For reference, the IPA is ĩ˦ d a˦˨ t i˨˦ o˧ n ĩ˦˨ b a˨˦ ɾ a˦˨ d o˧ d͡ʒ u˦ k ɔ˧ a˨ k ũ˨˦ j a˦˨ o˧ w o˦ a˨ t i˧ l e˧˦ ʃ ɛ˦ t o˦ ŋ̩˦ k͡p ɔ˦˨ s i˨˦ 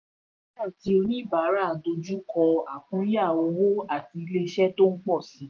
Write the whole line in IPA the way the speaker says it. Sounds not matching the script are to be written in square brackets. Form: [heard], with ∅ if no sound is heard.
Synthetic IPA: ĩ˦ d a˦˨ t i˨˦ o˧ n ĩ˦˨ b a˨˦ ɾ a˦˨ d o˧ d͡ʒ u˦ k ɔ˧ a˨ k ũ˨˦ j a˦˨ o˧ w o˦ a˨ t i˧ l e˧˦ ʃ ɛ˦ t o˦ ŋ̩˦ k͡p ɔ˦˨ s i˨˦